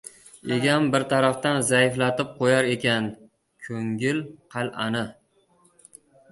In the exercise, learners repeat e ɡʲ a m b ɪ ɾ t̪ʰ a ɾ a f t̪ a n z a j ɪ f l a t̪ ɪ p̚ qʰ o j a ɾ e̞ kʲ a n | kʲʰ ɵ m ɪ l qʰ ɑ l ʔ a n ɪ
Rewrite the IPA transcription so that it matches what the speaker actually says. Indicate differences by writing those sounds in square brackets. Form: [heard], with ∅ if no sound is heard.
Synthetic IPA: e ɡʲ a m b ɪ ɾ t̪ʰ a ɾ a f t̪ a n z a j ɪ f l a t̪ ɪ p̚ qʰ o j a ɾ e̞ kʲ a n | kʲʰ ɵ [ŋ] ɪ l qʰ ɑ l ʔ a n ɪ